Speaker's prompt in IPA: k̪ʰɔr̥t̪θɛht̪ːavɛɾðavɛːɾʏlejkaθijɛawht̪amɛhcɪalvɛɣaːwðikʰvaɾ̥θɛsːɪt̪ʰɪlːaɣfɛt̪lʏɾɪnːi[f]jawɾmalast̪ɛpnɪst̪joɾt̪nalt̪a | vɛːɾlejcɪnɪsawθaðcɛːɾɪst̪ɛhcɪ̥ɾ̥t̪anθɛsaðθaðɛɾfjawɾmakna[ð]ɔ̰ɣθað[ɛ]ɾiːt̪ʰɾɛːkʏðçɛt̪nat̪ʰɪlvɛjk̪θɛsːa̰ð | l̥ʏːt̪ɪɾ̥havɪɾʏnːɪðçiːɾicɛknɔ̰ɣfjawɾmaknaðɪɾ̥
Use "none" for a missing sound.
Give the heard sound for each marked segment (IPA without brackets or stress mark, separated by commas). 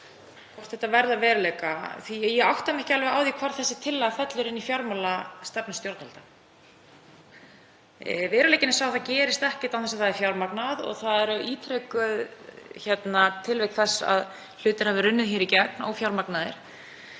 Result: f, ð, ɛ